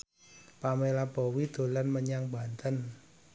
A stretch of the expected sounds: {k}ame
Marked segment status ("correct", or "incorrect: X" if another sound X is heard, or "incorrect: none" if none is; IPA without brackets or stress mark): incorrect: p